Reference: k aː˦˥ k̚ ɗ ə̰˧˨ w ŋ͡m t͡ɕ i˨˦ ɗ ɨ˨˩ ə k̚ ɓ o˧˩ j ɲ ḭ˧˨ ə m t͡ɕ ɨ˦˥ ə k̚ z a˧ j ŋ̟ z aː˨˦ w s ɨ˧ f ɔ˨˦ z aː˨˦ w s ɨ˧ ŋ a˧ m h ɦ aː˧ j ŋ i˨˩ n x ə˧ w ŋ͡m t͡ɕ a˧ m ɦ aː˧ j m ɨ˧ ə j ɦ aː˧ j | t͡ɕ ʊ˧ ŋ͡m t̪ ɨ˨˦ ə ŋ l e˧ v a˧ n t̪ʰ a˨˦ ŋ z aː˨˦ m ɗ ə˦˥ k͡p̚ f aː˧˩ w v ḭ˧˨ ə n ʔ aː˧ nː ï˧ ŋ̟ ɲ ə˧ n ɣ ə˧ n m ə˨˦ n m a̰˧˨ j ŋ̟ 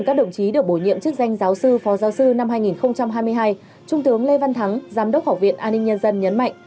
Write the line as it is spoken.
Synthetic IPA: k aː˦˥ k̚ ɗ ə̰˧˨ w ŋ͡m t͡ɕ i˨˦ ɗ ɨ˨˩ ə k̚ ɓ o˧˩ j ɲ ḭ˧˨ ə m t͡ɕ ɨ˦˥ ə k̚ z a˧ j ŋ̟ z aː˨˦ w s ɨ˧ f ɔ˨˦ z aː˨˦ w s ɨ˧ n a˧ m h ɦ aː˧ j ŋ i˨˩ n x ə˧ w ŋ͡m t͡ɕ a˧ m ɦ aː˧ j m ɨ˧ ə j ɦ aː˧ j | t͡ɕ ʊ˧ ŋ͡m t̪ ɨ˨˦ ə ŋ l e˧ v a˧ n t̪ʰ a˨˦ ŋ z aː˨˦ m ɗ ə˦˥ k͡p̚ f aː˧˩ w v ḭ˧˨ ə n ʔ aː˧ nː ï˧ ŋ̟ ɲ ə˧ n z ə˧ n ɲ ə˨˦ n m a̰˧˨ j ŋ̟